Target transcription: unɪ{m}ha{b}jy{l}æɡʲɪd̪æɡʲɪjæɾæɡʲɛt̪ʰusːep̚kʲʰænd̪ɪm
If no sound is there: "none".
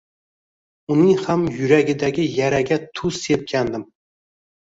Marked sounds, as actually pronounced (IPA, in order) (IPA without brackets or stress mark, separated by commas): ŋ, m, ɾ